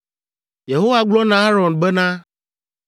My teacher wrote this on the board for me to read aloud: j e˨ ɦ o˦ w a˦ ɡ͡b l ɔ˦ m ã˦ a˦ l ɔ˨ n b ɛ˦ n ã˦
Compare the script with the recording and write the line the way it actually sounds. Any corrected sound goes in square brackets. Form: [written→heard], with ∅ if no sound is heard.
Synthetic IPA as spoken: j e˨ ɦ o˦ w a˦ ɡ͡b l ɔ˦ [m→n] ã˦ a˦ [l→ɾ] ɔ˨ n b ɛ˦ n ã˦